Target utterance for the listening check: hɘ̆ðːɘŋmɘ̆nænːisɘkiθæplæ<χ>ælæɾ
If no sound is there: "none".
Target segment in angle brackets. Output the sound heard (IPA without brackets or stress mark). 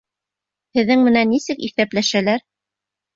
ʃ